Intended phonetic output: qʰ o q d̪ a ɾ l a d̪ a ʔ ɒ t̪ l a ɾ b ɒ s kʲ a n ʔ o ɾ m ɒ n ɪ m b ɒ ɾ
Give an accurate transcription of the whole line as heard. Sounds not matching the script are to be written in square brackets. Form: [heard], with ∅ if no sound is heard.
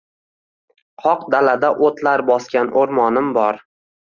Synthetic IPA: qʰ [ɒ] q d̪ a [∅] l a d̪ a ʔ [o] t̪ l a ɾ b ɒ s kʲ a n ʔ o ɾ m ɒ n ɪ m b ɒ ɾ